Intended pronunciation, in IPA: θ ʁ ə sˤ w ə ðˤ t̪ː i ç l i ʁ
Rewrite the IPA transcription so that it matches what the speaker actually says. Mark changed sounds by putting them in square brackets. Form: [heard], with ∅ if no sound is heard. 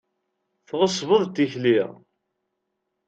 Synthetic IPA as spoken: θ ʁ ə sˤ [v] ə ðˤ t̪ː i ç l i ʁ